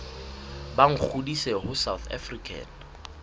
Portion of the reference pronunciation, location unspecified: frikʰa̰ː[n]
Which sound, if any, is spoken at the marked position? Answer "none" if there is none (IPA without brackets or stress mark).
n